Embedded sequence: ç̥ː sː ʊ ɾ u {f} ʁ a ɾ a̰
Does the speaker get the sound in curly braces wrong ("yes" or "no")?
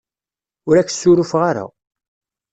no